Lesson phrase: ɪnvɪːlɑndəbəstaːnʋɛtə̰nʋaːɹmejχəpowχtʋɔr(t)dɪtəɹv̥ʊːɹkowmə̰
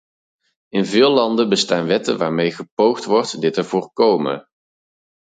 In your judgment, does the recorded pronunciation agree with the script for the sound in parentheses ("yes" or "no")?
yes